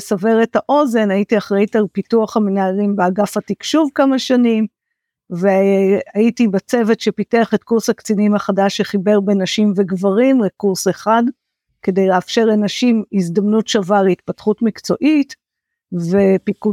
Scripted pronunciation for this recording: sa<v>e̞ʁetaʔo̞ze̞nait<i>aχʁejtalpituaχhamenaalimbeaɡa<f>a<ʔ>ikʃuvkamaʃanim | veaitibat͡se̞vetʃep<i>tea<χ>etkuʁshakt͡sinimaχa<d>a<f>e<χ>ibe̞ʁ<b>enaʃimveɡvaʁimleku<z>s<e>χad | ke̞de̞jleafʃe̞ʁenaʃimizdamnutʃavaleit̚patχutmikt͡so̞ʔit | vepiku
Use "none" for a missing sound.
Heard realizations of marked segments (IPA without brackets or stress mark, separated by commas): v, i, f, t, i, χ, d, ʃ, χ, b, ʁ, e